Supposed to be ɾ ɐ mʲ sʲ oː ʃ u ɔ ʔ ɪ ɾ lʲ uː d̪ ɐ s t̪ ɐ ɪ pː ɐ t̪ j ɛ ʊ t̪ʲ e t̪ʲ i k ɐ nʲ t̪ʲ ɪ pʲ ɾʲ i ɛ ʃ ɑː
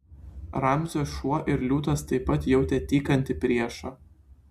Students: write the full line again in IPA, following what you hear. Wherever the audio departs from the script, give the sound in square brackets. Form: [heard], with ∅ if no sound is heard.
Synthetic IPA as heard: ɾ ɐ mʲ [zʲ] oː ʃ u ɔ ʔ ɪ ɾ lʲ uː [t̪] ɐ s t̪ ɐ ɪ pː ɐ t̪ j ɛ ʊ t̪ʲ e t̪ʲ [iː] k ɐ nʲ t̪ʲ ɪ pʲ ɾʲ i ɛ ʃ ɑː